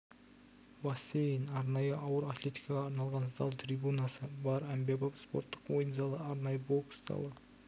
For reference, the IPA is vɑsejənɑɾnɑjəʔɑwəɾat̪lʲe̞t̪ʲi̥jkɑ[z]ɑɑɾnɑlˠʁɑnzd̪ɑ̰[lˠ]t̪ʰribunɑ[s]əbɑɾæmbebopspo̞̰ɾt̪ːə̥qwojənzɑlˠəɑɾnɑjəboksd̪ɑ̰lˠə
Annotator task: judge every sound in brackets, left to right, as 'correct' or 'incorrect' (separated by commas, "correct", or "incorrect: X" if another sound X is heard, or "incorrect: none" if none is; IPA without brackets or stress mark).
incorrect: ʁ, correct, correct